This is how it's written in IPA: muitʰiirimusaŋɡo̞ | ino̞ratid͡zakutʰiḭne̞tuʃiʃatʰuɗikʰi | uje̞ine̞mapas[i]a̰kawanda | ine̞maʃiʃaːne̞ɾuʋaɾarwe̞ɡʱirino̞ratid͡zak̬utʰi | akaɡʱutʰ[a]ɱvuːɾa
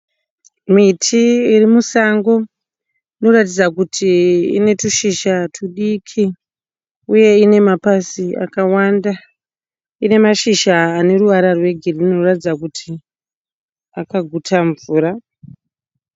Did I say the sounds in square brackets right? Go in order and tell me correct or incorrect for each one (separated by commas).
correct, correct